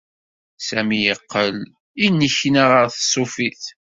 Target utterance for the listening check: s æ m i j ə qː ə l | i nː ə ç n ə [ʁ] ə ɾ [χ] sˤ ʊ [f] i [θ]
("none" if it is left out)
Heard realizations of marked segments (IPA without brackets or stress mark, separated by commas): ʁ, θ, f, θ